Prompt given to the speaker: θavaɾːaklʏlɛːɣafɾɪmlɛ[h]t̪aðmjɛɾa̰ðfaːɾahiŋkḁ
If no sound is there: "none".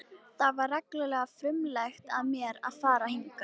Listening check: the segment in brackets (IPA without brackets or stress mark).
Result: x